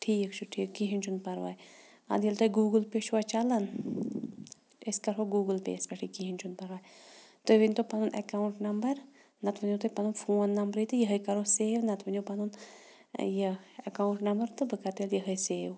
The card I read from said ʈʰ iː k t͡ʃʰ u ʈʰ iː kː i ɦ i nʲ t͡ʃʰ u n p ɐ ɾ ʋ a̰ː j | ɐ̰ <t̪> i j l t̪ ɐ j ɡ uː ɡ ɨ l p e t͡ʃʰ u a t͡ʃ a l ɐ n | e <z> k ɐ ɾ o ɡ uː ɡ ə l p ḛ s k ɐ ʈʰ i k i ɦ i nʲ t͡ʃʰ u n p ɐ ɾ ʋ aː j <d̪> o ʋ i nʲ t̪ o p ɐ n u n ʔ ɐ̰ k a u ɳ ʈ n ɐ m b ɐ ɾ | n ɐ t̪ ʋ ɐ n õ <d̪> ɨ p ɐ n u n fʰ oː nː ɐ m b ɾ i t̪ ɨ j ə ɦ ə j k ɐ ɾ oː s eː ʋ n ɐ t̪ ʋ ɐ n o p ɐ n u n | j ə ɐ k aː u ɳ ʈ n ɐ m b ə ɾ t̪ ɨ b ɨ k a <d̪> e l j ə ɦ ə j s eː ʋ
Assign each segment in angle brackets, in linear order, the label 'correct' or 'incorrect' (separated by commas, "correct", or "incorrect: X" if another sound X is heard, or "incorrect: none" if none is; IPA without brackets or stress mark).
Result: incorrect: d̪, incorrect: s, incorrect: t̪, incorrect: t̪, incorrect: t̪